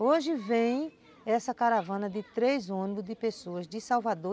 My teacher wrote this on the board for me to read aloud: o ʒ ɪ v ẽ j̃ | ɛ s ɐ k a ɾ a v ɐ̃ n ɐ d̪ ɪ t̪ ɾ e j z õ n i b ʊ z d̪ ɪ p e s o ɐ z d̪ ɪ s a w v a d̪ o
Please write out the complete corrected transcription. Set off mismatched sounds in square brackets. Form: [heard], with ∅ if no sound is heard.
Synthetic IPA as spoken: o ʒ ɪ v ẽ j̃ | ɛ s ɐ k a ɾ a v ɐ̃ n ɐ d̪ ɪ t̪ ɾ e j z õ n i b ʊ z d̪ ɪ p e s o ɐ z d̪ ɪ s a w v a d̪ o